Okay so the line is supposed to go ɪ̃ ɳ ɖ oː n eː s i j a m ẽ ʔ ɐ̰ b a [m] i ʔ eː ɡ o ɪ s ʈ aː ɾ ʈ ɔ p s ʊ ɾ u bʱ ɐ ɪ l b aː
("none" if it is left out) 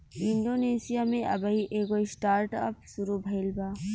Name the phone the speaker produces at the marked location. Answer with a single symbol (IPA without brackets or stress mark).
none